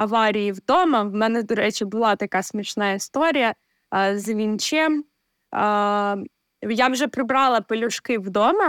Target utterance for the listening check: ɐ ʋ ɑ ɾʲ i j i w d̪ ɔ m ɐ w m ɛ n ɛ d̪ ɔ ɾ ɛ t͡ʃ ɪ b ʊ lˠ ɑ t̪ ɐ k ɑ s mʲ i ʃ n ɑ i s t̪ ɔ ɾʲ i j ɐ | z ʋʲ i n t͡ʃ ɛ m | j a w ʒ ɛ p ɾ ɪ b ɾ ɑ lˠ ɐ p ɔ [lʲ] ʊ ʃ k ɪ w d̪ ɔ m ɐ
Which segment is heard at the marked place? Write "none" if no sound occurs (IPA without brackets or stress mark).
lʲ